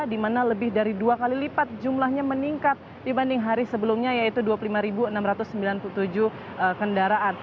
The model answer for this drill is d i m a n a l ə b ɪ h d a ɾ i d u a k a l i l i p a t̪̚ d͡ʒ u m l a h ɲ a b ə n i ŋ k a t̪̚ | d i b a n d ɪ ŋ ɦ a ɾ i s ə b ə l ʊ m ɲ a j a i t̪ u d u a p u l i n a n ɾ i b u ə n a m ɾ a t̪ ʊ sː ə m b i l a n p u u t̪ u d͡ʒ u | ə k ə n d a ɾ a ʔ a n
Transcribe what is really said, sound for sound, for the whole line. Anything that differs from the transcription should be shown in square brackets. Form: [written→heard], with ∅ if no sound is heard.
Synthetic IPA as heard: d i m a n a l ə b ɪ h d a ɾ i d u a k a l i l i p a t̪̚ d͡ʒ u m l a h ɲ a [b→m] ə n i ŋ k a t̪̚ | d i b a n d ɪ ŋ ɦ a ɾ i s ə b ə l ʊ m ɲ a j a i t̪ u d u a p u l i [n→m] a [n→∅] ɾ i b u ə n a m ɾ a t̪ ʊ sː ə m b i l a n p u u t̪ u d͡ʒ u | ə k ə n d a ɾ a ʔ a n